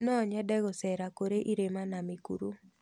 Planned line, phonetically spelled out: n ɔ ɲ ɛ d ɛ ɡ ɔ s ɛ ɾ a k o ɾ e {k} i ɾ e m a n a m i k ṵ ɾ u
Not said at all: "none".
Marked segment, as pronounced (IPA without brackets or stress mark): ʔ